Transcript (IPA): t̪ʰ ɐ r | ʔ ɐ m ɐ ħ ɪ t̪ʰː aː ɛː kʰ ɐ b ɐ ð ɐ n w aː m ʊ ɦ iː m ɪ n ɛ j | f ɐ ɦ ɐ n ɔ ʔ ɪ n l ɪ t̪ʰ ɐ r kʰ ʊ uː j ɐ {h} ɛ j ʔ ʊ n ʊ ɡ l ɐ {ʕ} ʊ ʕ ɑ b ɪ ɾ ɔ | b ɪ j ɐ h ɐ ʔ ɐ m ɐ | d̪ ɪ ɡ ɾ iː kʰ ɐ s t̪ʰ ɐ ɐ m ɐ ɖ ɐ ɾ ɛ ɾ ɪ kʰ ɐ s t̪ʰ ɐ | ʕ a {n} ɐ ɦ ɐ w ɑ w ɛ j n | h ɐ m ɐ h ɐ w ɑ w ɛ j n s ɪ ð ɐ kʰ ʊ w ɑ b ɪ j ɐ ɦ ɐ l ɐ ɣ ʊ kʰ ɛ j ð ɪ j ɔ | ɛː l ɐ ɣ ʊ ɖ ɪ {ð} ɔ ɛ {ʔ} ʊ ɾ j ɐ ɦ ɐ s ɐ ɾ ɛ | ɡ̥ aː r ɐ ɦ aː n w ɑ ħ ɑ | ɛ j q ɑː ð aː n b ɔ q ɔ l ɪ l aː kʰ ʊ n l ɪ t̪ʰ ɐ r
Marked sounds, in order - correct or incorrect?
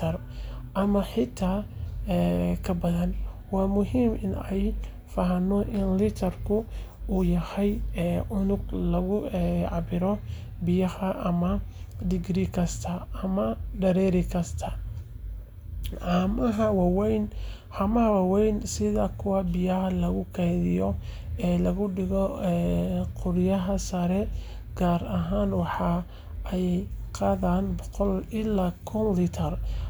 correct, incorrect, incorrect, incorrect, incorrect

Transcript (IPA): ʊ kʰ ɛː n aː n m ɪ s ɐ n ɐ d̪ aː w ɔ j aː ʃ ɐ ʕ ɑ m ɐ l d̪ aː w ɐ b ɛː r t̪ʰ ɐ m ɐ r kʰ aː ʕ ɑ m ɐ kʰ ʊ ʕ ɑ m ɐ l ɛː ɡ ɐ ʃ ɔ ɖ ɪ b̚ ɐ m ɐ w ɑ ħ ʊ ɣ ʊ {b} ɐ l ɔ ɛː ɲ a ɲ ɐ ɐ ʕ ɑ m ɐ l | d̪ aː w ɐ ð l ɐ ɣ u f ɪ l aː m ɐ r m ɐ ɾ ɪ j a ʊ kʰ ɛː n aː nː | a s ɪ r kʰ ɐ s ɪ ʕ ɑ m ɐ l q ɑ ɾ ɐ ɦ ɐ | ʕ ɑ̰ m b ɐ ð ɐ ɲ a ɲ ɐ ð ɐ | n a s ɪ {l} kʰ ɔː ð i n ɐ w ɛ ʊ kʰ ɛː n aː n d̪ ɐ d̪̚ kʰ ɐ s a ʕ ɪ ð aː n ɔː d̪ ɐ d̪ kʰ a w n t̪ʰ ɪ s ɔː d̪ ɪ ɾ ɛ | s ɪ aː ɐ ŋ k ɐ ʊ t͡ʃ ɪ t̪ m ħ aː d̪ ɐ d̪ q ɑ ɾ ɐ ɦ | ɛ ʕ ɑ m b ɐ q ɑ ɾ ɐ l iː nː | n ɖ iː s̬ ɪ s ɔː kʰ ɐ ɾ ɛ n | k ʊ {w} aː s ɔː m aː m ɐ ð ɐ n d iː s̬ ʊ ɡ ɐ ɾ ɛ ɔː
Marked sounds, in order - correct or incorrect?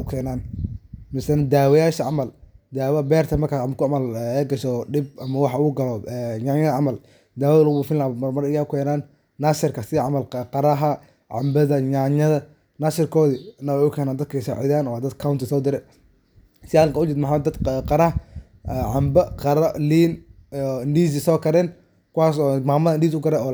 incorrect, incorrect, correct

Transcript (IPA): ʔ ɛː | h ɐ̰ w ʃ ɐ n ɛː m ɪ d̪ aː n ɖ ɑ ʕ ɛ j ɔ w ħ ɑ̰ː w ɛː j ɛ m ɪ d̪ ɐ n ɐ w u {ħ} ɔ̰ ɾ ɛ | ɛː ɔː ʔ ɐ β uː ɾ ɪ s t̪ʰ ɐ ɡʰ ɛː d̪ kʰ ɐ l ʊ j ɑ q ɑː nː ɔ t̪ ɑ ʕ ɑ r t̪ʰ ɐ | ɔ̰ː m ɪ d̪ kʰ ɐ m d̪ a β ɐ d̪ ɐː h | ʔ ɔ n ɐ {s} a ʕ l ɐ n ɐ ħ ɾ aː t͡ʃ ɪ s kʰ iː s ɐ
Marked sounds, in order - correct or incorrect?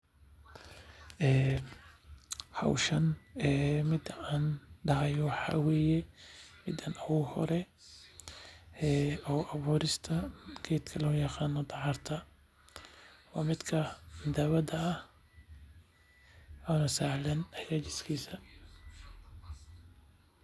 incorrect, correct

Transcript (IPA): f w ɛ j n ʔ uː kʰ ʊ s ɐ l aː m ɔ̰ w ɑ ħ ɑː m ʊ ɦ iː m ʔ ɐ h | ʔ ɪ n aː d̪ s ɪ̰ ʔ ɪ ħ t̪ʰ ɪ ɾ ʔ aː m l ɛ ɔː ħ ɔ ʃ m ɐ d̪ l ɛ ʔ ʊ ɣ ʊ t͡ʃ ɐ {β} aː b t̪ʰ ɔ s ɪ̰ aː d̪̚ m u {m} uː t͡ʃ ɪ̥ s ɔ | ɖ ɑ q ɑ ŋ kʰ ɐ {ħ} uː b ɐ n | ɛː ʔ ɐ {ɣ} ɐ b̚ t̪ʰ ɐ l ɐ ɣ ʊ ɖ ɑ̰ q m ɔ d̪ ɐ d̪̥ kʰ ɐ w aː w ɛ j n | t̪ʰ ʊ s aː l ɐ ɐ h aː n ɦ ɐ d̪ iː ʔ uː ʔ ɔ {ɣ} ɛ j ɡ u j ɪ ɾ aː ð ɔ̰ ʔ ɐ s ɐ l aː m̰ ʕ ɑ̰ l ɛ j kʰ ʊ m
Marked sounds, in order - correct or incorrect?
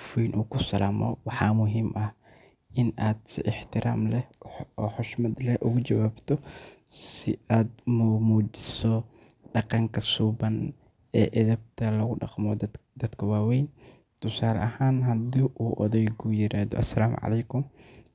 incorrect, correct, incorrect, incorrect, incorrect

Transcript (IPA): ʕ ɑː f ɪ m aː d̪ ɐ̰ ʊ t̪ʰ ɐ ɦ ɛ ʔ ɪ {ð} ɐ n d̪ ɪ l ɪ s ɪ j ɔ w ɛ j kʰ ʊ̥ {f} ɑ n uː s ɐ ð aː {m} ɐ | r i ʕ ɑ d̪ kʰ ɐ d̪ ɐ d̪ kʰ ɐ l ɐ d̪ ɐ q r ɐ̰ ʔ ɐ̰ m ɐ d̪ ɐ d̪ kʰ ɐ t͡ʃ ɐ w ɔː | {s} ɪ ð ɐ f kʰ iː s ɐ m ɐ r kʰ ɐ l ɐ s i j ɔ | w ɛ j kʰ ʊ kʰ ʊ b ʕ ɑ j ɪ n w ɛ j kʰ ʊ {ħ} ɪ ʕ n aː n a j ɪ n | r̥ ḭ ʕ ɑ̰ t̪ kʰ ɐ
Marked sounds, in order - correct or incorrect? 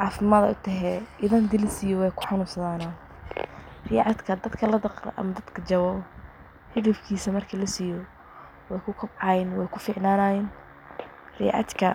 correct, incorrect, incorrect, incorrect, incorrect

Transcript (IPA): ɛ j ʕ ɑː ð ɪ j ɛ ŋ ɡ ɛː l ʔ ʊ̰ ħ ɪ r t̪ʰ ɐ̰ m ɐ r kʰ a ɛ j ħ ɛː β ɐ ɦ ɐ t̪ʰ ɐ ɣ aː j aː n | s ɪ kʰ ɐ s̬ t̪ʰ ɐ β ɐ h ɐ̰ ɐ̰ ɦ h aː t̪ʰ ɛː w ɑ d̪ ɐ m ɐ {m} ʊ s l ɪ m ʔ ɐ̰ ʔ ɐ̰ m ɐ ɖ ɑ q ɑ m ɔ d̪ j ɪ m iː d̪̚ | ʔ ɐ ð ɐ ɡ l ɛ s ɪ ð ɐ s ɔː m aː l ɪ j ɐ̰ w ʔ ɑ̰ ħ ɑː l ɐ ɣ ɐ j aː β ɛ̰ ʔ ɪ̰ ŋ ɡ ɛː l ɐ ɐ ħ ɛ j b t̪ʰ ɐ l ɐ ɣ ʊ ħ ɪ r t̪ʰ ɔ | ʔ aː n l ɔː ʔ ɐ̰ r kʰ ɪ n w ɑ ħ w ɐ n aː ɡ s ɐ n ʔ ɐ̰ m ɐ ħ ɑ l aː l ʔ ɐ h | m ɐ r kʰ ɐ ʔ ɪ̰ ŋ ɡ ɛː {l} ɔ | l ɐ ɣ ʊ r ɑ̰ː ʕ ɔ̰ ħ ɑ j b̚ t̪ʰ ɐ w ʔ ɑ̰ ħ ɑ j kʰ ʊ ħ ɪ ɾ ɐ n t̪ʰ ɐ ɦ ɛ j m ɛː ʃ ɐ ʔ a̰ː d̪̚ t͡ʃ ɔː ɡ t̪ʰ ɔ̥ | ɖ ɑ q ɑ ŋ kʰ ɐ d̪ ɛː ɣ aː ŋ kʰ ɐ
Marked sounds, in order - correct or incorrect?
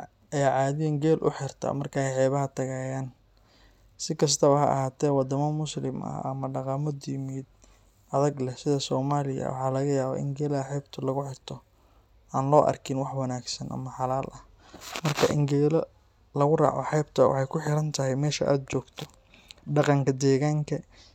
correct, correct

